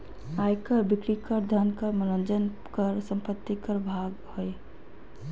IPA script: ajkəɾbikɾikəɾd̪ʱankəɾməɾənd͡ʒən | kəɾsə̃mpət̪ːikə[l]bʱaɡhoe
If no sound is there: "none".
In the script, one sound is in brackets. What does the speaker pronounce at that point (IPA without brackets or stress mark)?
ɾ